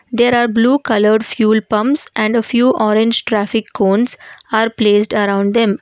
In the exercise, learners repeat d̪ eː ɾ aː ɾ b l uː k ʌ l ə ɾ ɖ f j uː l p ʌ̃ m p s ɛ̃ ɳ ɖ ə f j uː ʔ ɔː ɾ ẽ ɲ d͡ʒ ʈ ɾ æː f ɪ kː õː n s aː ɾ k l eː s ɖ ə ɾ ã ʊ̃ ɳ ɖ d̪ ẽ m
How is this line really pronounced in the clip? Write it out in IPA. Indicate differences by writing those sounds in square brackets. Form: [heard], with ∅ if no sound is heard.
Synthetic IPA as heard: d̪ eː ɾ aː ɾ b l uː k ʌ l ə ɾ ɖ f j uː l p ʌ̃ m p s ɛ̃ ɳ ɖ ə f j uː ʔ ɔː ɾ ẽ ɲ d͡ʒ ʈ ɾ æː f ɪ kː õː n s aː ɾ [p] l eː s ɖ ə ɾ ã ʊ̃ ɳ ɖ d̪ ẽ m